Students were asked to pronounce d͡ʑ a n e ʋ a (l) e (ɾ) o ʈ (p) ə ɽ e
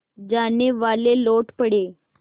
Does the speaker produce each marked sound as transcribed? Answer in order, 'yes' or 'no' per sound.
yes, no, yes

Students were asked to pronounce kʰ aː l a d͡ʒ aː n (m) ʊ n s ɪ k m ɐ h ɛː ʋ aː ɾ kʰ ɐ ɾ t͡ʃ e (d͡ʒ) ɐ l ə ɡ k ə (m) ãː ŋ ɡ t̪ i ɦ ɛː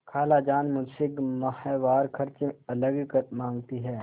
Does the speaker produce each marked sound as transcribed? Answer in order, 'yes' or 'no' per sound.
yes, no, yes

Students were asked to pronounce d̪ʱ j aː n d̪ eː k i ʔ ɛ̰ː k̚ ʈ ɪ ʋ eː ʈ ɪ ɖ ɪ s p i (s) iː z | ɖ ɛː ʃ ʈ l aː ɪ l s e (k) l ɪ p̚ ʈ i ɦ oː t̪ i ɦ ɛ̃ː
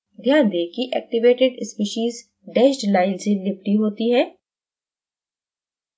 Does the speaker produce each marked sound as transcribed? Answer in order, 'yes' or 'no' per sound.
no, no

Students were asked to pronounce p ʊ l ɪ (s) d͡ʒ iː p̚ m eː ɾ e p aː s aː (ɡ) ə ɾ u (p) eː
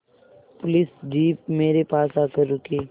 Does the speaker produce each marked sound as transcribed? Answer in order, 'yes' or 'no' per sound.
yes, no, no

